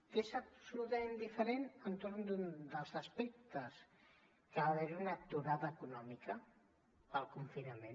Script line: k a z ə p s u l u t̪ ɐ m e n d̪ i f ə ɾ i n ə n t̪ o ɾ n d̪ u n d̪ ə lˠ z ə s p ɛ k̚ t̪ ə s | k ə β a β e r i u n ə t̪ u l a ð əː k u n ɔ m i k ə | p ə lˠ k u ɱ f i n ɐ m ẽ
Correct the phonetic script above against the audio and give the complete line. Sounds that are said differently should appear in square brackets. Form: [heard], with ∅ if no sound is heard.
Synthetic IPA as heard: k [e] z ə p s u l u t̪ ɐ m e n d̪ i f ə ɾ [e] n ə n t̪ o ɾ n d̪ u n d̪ ə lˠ z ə s p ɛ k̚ t̪ ə s | k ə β a β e [ɾ] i u n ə t̪ u [ɾ] a ð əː k u n ɔ m i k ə | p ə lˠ k u ɱ f i n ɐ m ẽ